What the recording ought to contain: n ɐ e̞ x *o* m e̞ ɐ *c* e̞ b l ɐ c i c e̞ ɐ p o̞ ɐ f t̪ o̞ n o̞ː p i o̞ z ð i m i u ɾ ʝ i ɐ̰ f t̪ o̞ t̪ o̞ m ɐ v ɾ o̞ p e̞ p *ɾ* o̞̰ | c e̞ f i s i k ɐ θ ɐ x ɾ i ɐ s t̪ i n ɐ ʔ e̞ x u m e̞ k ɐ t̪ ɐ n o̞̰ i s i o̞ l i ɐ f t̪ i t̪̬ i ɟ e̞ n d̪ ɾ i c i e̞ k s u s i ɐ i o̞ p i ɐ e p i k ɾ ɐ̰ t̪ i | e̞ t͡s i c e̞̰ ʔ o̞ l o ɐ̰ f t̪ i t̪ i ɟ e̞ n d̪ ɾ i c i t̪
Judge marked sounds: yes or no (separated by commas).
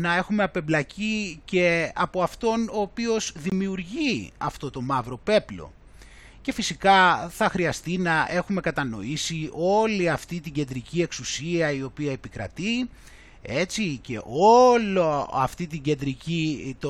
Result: no, no, no